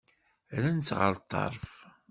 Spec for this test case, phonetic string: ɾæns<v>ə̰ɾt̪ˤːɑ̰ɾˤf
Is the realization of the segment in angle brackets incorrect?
yes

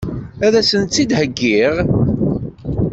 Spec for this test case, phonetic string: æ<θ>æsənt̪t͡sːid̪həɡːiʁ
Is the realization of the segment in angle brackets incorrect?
yes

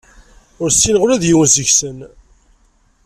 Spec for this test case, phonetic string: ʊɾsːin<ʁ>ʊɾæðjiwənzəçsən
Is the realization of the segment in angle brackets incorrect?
no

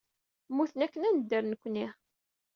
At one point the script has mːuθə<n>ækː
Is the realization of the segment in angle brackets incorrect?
no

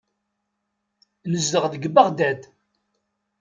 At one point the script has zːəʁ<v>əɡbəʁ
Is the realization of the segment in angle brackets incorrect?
yes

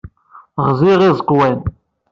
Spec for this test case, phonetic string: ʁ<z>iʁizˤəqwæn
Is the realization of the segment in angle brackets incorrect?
no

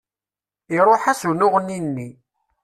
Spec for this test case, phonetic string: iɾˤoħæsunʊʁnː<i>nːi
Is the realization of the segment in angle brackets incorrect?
no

